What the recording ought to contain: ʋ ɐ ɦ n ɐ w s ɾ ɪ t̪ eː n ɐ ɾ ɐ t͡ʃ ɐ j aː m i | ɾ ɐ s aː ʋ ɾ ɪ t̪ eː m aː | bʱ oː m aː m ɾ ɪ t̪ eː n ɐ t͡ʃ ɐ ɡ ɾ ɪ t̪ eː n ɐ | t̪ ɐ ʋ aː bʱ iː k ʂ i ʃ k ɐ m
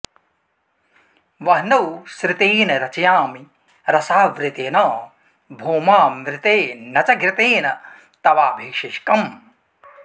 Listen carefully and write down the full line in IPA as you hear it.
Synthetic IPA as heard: ʋ ɐ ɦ n ɐ w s ɾ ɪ t̪ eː n ɐ ɾ ɐ t͡ʃ ɐ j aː m i | ɾ ɐ s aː ʋ ɾ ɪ t̪ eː n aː | bʱ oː m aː m ɾ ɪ t̪ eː n ɐ t͡ʃ ɐ ɡ ɾ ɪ t̪ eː n ɐ | t̪ ɐ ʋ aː bʱ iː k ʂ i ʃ k ɐ m

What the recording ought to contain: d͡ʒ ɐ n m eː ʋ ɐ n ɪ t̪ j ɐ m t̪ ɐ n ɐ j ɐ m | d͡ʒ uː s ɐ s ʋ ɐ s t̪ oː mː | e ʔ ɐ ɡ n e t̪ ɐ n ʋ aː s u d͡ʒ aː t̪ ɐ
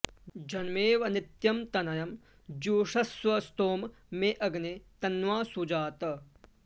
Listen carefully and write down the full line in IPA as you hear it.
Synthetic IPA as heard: d͡ʒ ɐ n m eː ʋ ɐ n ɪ t̪ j ɐ m t̪ ɐ n ɐ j ɐ m | d͡ʒ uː ʂ ɐ s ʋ ɐ s t̪ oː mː | e ʔ ɐ ɡ n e t̪ ɐ n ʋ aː s u d͡ʒ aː t̪ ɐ

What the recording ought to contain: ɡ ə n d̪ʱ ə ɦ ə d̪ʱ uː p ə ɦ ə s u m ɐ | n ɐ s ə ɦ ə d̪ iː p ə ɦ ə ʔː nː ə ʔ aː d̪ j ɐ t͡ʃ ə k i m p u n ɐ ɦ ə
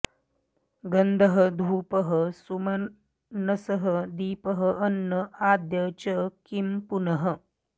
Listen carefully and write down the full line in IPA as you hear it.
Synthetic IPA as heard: ɡ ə n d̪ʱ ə ɦ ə d̪ʱ uː p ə ɦ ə s u m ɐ | n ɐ s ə ɦ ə d̪ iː p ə ɦ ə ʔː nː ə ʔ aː d̪ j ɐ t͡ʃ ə k i m p u n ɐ ɦ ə

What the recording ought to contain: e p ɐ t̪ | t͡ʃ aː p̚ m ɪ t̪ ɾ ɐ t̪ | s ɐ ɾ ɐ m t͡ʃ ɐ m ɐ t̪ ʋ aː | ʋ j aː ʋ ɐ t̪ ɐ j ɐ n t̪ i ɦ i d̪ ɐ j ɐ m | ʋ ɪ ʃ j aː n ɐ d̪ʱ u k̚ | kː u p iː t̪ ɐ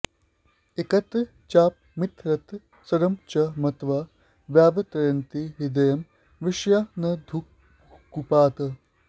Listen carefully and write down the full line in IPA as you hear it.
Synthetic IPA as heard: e k ɐ t̪ | t͡ʃ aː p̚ m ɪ t̪ ɾ ɐ t̪ | s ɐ ɾ ɐ m t͡ʃ ɐ m ɐ t̪ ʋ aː | ʋ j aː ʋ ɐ t̪ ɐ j ɐ n t̪ i ɦ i d̪ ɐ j ɐ m | ʋ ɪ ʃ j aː n ɐ d̪ʱ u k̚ | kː u p aː t̪ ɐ

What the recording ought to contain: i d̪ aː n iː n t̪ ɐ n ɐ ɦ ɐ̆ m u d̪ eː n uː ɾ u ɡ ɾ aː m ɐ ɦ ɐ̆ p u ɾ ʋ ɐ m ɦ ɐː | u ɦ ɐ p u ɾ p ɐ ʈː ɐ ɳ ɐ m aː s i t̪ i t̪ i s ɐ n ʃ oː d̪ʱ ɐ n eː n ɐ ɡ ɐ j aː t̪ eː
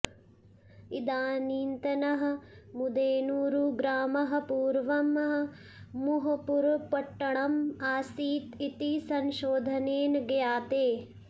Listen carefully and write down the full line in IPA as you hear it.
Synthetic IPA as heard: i d̪ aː n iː n t̪ ɐ n ɐ ɦ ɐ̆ m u d̪ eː n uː ɾ u ɡ ɾ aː m ɐ ɦ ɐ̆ p uː ɾ ʋ ɐ m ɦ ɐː | u ɦ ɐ p u ɾ p ɐ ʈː ɐ ɳ ɐ m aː s iː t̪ i t̪ i s ɐ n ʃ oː d̪ʱ ɐ n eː n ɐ ɡ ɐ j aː t̪ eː

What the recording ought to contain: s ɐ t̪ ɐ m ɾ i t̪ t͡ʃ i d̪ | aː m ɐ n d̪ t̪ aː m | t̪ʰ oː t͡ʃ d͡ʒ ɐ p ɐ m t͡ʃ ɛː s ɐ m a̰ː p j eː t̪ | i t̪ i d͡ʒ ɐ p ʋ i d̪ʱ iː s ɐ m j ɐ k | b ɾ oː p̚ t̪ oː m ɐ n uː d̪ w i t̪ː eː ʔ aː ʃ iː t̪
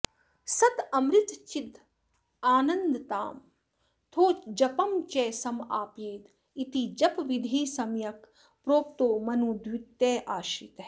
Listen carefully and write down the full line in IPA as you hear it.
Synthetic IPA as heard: s ɐ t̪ ɐ m ɾ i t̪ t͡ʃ i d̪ | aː n ɐ n d̪ t̪ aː m | t̪ʰ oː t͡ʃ d͡ʒ ɐ p ɐ m t͡ʃ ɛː s ɐ m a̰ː p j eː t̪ | i t̪ i d͡ʒ ɐ p ʋ i d̪ʱ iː s ɐ m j ɐ k | p ɾ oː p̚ t̪ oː m ɐ n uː d̪ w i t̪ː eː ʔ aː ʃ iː t̪

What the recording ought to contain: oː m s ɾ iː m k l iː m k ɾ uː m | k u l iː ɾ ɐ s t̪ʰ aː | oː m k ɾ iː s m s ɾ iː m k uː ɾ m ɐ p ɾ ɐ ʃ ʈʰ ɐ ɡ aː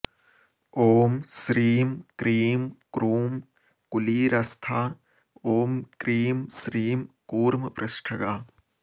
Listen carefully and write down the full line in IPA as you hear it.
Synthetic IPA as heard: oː m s ɾ iː m k ɾ iː m k ɾ uː m | k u l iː ɾ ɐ s t̪ʰ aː | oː m k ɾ iː m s ɾ iː m k uː ɾ m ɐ p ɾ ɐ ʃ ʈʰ ɐ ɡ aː

